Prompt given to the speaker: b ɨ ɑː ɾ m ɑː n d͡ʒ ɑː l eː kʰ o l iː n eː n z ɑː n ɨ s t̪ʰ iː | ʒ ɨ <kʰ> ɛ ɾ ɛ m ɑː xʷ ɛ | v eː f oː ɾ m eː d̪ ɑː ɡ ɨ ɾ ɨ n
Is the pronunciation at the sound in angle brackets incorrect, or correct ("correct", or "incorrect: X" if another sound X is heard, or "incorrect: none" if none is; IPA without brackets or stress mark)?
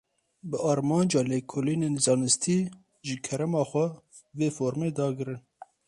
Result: correct